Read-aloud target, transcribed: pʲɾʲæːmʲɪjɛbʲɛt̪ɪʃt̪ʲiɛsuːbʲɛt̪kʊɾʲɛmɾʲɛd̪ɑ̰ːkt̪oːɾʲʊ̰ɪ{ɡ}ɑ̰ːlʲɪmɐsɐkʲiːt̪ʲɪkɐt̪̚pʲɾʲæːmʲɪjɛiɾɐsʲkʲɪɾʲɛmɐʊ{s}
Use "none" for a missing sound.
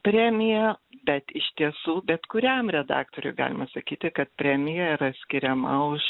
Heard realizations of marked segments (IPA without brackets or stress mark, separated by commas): ɡ, ʃ